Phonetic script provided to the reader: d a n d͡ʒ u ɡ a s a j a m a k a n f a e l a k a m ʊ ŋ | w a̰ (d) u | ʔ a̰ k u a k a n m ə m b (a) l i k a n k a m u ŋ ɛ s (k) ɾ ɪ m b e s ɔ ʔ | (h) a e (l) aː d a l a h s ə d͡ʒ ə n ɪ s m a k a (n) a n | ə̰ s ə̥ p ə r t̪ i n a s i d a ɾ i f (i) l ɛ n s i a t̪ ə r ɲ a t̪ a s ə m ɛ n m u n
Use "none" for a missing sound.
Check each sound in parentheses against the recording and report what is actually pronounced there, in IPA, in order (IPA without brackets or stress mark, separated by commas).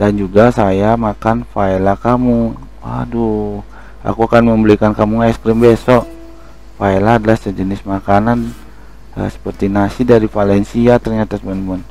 d, ə, k, f, l, n, a